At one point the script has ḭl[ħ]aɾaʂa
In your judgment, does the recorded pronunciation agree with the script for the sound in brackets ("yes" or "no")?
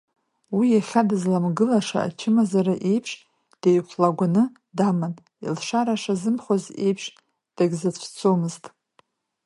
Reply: no